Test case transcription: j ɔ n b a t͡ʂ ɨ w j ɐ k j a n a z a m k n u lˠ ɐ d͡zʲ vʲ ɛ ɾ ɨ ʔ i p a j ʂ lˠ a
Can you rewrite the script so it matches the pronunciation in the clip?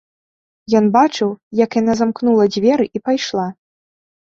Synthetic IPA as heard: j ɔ n b a t͡ʂ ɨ w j ɐ k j a n a z a m k n u lˠ ɐ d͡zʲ vʲ ɛ ɾ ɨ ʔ i p a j ʂ lˠ a